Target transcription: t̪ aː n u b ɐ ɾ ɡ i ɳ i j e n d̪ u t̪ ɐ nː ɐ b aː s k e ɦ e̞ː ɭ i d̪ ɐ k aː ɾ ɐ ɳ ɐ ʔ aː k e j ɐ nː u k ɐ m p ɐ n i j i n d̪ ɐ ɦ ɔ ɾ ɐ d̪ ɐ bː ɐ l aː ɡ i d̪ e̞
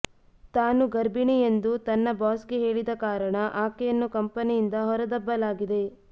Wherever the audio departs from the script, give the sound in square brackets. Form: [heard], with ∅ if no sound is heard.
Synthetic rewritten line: t̪ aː n u [ɡ] ɐ ɾ [b] i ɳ i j e n d̪ u t̪ ɐ nː ɐ b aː s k e ɦ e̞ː ɭ i d̪ ɐ k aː ɾ ɐ ɳ ɐ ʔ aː k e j ɐ nː u k ɐ m p ɐ n i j i n d̪ ɐ ɦ ɔ ɾ ɐ d̪ ɐ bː ɐ l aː ɡ i d̪ e̞